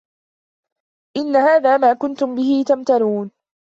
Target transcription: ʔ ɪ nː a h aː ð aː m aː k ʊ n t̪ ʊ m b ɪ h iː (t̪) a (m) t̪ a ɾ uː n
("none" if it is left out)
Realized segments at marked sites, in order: t̪, m

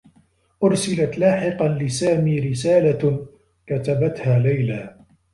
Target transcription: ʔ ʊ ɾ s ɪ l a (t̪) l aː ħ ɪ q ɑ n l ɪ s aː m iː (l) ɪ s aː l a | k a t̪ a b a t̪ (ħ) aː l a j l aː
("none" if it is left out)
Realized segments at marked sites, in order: t̪, ɾ, h

